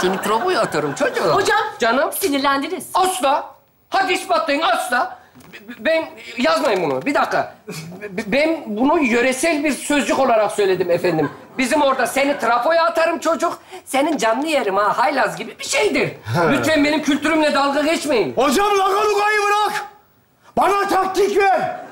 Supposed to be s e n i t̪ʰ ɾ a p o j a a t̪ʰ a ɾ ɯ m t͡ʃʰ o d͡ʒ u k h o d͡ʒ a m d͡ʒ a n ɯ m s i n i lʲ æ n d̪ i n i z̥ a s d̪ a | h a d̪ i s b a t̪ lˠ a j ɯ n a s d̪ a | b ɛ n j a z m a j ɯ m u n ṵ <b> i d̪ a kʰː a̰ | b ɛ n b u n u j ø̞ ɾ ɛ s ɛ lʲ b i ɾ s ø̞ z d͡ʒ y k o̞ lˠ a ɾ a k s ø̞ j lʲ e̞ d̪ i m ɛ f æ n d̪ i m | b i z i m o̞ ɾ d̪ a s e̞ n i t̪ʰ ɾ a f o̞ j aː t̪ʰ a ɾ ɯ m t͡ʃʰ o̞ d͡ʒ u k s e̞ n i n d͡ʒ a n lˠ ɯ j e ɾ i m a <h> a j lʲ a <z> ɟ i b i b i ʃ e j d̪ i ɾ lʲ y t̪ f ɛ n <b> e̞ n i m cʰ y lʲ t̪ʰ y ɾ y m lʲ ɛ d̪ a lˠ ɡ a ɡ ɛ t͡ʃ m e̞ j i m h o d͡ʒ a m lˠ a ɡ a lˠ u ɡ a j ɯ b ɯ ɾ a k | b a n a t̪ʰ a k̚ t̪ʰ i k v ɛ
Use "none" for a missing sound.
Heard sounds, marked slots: b, h, z, b

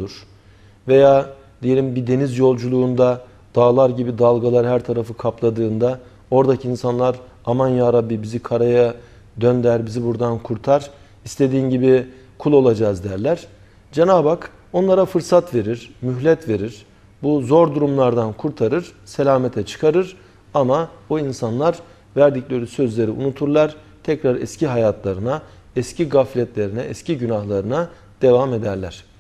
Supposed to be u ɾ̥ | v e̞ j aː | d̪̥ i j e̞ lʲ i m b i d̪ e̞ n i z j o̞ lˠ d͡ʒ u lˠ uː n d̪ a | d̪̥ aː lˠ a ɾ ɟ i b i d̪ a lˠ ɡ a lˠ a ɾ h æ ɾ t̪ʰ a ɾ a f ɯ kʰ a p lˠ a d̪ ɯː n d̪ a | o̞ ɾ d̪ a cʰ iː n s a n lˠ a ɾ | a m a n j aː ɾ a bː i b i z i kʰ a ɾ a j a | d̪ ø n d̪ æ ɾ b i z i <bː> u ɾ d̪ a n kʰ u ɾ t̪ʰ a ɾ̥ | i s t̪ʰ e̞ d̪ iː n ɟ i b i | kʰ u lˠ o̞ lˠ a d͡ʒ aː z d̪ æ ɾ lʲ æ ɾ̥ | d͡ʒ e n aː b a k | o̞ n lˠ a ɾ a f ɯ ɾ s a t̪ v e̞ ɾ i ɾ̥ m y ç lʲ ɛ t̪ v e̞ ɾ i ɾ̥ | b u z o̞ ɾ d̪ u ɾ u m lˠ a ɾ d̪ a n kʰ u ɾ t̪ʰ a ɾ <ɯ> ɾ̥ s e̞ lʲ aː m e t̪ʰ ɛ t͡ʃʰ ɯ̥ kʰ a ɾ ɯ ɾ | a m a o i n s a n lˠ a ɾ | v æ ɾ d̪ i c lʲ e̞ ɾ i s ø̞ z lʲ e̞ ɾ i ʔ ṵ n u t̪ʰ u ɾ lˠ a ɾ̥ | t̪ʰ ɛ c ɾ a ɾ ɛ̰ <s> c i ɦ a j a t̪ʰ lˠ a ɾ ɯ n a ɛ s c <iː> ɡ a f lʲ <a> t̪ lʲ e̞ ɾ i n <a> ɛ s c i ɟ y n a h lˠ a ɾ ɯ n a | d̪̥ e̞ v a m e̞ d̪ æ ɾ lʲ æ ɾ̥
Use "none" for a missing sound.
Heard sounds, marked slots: b, ɯ, s, i, ɛ, ɛ

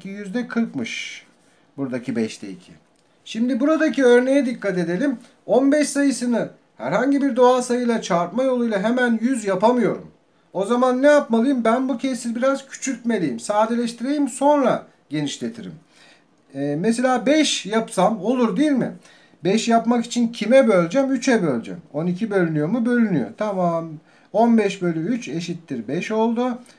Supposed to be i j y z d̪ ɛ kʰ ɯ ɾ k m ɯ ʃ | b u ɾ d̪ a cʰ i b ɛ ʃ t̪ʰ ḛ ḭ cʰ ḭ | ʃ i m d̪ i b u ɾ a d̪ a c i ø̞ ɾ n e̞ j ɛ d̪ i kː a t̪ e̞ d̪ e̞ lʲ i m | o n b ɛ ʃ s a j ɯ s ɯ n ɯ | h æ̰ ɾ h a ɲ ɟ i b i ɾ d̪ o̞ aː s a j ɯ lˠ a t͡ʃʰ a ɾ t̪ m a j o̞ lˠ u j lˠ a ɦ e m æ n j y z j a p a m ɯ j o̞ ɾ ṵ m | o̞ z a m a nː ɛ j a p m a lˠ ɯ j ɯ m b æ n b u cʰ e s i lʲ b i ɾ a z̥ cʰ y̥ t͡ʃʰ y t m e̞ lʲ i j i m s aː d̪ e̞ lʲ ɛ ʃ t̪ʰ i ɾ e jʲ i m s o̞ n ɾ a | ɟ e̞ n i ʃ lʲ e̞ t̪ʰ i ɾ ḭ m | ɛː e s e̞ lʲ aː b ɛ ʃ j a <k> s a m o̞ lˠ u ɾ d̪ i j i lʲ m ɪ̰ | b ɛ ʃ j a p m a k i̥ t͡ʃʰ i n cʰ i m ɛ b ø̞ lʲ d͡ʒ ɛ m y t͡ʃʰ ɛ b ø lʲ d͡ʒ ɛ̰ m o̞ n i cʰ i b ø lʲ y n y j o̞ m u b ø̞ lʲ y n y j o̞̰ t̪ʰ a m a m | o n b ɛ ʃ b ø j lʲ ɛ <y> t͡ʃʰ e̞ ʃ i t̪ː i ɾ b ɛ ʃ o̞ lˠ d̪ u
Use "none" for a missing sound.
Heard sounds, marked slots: p, y

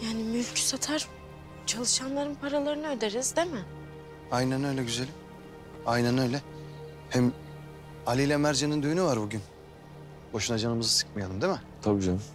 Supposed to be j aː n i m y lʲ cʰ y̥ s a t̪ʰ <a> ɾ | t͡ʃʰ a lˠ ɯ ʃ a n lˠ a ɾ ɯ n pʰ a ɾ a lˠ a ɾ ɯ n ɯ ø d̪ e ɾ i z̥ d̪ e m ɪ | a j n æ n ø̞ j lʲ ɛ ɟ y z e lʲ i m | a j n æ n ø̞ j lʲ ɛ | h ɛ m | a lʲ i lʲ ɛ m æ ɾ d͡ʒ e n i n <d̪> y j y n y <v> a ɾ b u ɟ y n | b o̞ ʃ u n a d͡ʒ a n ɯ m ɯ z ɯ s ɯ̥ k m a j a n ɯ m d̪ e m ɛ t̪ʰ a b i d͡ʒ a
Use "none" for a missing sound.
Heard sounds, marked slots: a, d̪, v

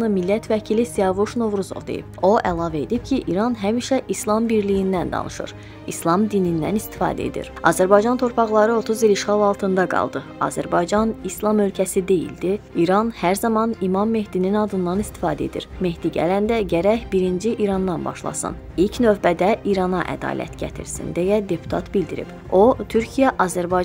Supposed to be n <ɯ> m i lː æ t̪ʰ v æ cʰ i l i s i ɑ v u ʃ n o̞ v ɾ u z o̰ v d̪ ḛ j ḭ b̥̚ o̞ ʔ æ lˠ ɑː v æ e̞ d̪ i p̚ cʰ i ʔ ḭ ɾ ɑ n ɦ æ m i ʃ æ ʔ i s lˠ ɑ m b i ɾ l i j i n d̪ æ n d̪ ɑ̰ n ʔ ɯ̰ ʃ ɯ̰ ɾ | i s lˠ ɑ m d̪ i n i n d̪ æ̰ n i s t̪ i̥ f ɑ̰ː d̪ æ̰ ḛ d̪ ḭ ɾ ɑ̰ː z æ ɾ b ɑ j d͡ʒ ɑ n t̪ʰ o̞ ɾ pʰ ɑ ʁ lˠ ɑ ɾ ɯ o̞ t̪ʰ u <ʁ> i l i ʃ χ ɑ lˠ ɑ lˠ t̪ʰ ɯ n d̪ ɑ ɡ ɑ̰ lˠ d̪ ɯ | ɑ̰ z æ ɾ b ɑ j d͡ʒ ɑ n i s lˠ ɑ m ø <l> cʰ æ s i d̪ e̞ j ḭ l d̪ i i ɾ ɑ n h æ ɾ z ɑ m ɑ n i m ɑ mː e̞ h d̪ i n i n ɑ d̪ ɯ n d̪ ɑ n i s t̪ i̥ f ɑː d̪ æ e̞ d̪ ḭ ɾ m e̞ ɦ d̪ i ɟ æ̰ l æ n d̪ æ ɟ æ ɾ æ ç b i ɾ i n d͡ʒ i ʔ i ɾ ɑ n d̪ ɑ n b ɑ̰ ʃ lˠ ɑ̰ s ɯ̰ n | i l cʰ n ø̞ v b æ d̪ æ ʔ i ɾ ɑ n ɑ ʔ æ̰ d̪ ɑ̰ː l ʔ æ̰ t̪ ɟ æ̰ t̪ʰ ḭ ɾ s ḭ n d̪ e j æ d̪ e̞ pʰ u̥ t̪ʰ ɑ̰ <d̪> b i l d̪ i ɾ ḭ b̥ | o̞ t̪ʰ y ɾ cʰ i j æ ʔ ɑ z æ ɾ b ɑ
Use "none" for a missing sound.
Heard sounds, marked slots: ɯ, z, l, t̪

